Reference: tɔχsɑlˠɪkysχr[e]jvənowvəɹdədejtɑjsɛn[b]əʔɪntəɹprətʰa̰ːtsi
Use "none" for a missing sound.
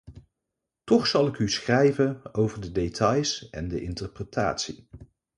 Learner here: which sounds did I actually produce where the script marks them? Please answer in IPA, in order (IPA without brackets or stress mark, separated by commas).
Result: ɛ, d